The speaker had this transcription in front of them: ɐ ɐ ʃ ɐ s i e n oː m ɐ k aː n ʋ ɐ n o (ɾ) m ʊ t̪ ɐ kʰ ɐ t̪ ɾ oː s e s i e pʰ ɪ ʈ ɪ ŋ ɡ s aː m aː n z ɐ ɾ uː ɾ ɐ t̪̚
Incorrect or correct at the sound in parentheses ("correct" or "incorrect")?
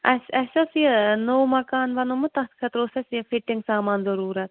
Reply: incorrect